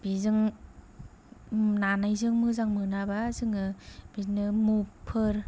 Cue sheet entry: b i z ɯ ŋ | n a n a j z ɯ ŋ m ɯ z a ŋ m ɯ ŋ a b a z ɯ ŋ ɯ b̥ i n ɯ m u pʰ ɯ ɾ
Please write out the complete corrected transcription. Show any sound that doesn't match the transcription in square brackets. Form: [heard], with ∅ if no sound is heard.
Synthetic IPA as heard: b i z ɯ ŋ | n a n a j z ɯ ŋ m ɯ z a ŋ m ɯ [n] a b a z ɯ ŋ ɯ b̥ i n ɯ m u pʰ ɯ ɾ